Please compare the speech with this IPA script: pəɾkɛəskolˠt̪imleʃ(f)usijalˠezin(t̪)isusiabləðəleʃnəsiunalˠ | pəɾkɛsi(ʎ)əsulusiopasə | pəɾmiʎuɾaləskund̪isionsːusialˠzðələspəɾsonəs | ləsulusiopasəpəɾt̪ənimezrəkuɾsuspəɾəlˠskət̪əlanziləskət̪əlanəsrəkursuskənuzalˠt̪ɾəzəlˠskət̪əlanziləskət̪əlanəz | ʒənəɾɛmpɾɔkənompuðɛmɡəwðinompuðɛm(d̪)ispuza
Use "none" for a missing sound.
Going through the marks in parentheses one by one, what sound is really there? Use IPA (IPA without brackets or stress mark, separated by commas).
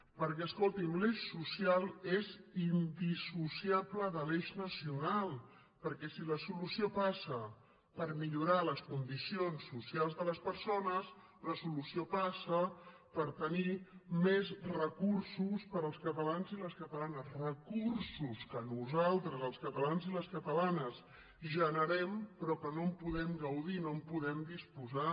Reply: s, d̪, l, d̪